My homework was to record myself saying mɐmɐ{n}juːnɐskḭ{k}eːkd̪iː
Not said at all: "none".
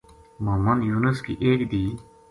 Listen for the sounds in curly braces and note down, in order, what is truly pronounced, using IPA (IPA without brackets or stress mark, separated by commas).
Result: n, ʔ